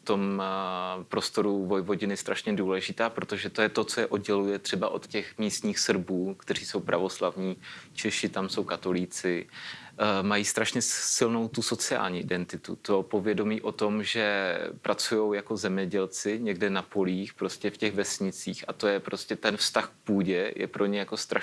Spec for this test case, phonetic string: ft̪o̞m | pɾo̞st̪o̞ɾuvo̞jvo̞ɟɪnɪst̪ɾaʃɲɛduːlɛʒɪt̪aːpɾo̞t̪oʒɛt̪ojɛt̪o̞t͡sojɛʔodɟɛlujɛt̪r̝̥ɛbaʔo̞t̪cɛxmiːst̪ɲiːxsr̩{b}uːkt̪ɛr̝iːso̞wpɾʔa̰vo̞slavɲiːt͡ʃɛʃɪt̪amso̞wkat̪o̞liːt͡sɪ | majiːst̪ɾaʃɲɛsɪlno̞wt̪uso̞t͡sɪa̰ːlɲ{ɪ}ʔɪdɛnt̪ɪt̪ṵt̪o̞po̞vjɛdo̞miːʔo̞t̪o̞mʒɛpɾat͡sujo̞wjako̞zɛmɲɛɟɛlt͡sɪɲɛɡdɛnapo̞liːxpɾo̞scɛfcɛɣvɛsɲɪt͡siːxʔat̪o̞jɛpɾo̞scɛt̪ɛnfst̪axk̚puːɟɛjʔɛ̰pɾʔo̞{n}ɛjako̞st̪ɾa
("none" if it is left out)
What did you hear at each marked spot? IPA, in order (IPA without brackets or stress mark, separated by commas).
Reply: b, i, ɲ